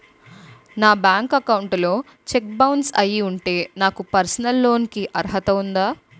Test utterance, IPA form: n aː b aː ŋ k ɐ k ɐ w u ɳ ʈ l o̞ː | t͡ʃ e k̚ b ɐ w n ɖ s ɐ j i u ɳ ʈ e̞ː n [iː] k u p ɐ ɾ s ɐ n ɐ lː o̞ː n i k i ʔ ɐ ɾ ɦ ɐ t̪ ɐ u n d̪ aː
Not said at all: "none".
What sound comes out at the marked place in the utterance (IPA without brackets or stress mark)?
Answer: aː